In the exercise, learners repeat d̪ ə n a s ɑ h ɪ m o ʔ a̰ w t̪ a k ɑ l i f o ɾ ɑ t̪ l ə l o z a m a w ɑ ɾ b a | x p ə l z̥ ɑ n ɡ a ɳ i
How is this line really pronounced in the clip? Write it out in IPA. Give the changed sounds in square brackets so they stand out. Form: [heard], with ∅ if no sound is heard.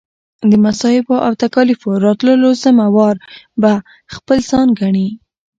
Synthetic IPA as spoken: d̪ ə [m] a s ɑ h ɪ [b] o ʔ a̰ w t̪ a k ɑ l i f o ɾ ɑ t̪ l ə l o z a m a w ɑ ɾ b a | x p ə l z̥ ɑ n ɡ a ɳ i